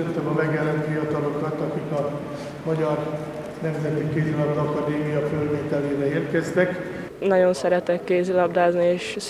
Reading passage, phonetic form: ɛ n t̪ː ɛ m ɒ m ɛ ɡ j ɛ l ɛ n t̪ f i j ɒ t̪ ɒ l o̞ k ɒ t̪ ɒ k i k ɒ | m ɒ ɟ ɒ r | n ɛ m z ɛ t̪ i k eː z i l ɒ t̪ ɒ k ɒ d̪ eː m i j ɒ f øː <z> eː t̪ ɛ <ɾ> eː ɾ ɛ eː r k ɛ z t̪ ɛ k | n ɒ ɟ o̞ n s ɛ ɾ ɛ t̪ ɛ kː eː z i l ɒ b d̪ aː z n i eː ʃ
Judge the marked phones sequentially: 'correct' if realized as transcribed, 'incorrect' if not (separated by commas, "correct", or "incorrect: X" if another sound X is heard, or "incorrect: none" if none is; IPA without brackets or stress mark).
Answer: incorrect: v, incorrect: l